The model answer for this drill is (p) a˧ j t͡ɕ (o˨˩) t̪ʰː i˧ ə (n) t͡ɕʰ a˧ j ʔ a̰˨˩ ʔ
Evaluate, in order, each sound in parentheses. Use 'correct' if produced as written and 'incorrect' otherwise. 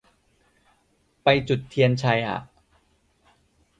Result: correct, incorrect, correct

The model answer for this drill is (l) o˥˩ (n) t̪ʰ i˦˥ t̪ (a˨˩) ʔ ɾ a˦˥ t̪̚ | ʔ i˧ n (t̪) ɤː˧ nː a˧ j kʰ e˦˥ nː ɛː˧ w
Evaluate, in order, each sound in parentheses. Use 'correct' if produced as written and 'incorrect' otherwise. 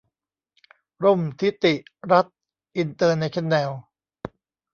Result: incorrect, incorrect, incorrect, correct

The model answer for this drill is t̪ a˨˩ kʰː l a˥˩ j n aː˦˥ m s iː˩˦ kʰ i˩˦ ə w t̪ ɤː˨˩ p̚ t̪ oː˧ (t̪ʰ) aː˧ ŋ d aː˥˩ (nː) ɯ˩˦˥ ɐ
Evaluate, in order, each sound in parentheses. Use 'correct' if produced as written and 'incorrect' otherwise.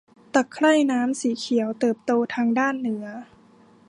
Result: correct, correct

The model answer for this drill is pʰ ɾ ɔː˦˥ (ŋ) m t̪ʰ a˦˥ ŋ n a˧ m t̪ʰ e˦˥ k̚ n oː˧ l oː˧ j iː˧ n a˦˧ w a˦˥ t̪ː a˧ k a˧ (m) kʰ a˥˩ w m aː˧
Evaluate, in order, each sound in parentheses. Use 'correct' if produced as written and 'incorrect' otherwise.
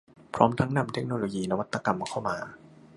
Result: incorrect, correct

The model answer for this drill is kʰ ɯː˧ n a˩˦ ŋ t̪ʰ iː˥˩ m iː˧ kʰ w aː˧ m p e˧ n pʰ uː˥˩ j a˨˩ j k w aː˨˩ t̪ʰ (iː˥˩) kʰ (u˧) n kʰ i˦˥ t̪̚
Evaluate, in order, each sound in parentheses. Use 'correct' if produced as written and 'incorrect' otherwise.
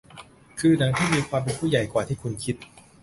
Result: correct, correct

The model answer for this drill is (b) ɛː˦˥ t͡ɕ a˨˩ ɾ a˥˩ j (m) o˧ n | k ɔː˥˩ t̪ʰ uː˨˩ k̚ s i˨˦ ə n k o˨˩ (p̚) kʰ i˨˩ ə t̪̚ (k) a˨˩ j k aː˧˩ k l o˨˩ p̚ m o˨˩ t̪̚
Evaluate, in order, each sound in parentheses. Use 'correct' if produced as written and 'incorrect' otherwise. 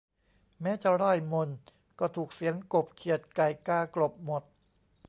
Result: incorrect, correct, correct, correct

